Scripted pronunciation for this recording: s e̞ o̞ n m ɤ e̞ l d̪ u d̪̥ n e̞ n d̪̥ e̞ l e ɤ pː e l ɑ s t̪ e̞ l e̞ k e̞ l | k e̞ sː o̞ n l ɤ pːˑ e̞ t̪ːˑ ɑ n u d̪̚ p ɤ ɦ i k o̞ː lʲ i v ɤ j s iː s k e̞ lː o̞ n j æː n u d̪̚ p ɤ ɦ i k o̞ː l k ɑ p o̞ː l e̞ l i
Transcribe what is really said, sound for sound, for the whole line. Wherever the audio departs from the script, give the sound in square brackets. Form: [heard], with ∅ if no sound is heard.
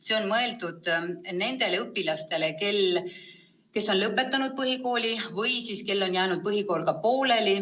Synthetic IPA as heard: s e̞ o̞ n m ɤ e̞ l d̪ u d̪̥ n e̞ n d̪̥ e̞ l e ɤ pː [i] l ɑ s t̪ e̞ l e̞ k e̞ l | k e̞ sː o̞ n l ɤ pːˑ e̞ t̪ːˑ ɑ n u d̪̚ p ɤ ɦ i k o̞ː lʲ i v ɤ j s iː s k e̞ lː o̞ n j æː n u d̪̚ p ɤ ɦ i k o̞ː l k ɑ p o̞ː l e̞ l i